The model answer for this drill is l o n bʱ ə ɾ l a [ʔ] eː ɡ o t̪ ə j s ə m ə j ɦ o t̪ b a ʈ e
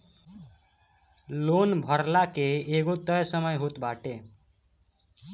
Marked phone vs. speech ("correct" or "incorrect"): incorrect